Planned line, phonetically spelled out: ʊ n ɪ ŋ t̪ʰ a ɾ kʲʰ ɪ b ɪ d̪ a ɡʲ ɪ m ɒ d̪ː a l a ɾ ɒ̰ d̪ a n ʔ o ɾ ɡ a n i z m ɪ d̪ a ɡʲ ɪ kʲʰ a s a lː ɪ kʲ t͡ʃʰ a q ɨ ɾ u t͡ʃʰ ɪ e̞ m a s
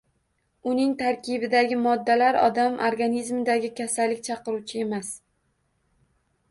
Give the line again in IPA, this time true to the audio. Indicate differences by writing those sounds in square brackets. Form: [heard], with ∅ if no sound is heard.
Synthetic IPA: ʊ n ɪ ŋ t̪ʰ a ɾ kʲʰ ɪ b ɪ d̪ a ɡʲ ɪ m ɒ d̪ː a l a ɾ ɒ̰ d̪ a [m] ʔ o ɾ ɡ a n i z m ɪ d̪ a ɡʲ ɪ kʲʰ a s a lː ɪ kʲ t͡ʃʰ [ɑ] q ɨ ɾ u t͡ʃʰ ɪ e̞ m a s